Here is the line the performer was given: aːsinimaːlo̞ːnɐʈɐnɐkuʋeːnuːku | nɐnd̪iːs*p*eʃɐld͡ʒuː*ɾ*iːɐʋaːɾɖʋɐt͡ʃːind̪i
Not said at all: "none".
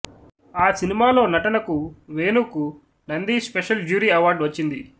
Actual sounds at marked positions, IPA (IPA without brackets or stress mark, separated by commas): p, ɾ